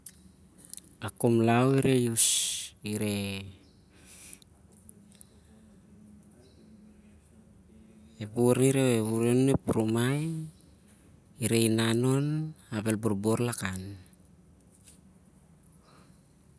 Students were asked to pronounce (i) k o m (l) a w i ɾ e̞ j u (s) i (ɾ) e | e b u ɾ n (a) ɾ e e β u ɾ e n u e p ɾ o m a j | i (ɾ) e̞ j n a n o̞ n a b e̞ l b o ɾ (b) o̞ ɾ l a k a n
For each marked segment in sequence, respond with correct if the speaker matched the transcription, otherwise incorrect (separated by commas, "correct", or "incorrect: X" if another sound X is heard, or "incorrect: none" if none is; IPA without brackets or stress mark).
incorrect: a, correct, correct, correct, incorrect: i, correct, correct